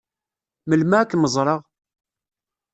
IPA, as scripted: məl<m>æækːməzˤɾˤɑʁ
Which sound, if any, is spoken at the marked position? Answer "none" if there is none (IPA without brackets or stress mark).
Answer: m